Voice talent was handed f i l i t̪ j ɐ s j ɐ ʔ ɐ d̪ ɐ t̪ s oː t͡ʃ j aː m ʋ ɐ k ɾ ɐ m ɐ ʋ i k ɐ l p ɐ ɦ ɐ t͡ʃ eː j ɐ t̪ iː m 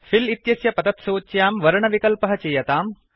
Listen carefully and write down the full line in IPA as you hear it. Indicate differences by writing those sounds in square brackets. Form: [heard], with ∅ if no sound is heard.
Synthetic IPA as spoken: f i l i t̪ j ɐ s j ɐ [p] ɐ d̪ ɐ t̪ s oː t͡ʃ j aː m ʋ ɐ [∅] ɾ ɐ [ɳ] ɐ ʋ i k ɐ l p ɐ ɦ ɐ t͡ʃ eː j ɐ t̪ [aː] m

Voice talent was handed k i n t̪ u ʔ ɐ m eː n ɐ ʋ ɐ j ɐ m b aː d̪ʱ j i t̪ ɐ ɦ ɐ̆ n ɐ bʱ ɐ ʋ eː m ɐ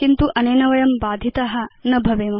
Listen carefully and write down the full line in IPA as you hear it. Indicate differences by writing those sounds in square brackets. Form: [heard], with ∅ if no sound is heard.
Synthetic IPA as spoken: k i n t̪ u ʔ ɐ [n] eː n ɐ ʋ ɐ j ɐ m b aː d̪ʱ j i t̪ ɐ ɦ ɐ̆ n ɐ bʱ ɐ ʋ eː m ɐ

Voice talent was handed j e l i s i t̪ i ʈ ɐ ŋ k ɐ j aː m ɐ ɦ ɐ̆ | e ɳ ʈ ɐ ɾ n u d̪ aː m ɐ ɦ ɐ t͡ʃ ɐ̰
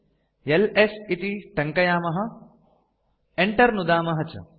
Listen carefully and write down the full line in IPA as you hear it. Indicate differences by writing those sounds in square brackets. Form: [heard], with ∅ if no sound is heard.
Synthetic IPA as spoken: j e l [e] s i t̪ i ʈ ɐ ŋ k ɐ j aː m ɐ ɦ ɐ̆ | e ɳ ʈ ɐ ɾ n u d̪ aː m ɐ ɦ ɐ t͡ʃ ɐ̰

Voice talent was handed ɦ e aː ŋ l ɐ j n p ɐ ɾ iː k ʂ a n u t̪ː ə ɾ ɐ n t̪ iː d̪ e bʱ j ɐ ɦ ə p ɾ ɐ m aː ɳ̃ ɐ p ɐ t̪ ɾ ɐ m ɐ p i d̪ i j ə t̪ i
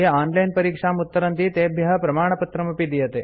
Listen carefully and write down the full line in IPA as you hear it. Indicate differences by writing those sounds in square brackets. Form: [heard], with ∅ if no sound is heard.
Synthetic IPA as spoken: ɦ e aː [n] l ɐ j n p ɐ ɾ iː k ʂ a [m] u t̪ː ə ɾ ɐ n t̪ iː [t̪] e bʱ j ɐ ɦ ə p ɾ ɐ m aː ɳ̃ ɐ p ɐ t̪ ɾ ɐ m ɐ p i d̪ i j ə t̪ [e]

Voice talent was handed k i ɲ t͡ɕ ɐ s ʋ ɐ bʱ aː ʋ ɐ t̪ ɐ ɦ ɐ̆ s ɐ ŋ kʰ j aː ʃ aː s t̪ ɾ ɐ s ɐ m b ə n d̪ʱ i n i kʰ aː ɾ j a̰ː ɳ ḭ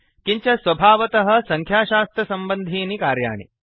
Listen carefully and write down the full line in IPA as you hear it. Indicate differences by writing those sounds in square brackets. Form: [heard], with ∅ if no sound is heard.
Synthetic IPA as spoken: k i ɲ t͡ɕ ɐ s ʋ ɐ bʱ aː ʋ ɐ t̪ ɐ ɦ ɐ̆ s ɐ ŋ kʰ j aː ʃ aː s t̪ ɾ ɐ s ɐ m b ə n d̪ʱ [iː] n i [k] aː ɾ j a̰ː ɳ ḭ

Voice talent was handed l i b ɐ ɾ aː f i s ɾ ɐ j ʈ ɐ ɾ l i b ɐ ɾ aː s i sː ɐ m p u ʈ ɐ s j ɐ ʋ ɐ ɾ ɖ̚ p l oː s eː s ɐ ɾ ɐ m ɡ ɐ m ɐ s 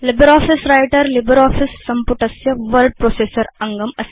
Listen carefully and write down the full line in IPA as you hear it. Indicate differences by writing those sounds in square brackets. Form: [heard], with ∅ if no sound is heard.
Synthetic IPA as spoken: l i b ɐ ɾ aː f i s ɾ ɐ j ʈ ɐ ɾ l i b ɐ ɾ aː [f] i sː ɐ m p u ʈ ɐ s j ɐ ʋ ɐ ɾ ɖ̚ p [ɾ] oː s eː s ɐ ɾ ɐ [ŋ] ɡ ɐ m ɐ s

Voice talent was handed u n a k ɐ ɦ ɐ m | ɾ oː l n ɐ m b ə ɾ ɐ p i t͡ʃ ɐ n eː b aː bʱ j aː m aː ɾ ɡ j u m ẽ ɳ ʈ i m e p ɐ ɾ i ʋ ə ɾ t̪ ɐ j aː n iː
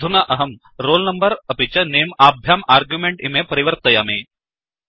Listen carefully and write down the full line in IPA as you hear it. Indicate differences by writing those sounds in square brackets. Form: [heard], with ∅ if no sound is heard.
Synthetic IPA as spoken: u n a [ʔ] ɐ ɦ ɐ m | ɾ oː l n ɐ m b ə ɾ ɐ p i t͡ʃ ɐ n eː [m] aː bʱ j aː m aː ɾ ɡ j u m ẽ ɳ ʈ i m e p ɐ ɾ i ʋ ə ɾ t̪ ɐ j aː [m] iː

